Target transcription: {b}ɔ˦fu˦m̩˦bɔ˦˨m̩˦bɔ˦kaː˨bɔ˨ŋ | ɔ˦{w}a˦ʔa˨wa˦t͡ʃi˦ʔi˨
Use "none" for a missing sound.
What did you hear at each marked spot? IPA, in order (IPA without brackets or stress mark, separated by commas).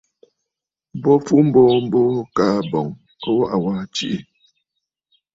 b, w